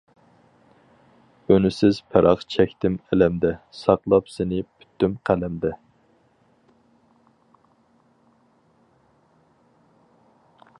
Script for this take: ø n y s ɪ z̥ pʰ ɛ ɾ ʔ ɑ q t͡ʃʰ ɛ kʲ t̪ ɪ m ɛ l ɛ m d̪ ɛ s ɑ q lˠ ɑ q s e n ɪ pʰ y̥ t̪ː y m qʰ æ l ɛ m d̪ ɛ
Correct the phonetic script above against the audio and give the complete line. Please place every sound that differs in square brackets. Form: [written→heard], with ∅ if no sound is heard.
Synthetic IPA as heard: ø n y s ɪ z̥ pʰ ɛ ɾ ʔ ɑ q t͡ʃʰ ɛ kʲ t̪ ɪ m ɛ l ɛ m d̪ ɛ s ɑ q lˠ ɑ [q→p] s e n ɪ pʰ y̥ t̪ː y m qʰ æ l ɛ m d̪ ɛ